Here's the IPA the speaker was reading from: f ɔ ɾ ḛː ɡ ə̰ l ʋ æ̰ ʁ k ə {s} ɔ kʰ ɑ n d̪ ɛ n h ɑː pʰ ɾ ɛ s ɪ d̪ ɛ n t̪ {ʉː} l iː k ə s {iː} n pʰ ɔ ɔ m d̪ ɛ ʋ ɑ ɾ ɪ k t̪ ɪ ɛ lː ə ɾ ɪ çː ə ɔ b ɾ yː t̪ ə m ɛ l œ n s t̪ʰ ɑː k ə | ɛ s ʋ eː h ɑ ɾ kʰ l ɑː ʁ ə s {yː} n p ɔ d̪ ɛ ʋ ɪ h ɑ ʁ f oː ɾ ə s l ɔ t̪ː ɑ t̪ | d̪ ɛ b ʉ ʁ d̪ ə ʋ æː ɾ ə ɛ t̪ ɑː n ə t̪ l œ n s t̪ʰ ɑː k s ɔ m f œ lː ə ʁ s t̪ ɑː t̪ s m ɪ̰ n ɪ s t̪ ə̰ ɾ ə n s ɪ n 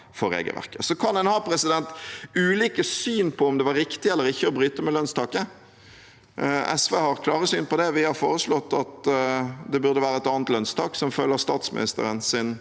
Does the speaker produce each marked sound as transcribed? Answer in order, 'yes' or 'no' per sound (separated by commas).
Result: yes, yes, no, yes